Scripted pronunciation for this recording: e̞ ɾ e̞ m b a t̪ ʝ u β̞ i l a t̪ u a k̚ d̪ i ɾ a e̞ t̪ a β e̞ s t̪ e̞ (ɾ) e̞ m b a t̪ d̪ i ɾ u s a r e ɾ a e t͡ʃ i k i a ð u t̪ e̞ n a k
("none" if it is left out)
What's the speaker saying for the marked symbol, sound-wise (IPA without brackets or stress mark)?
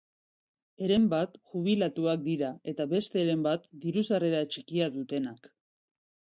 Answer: ɾ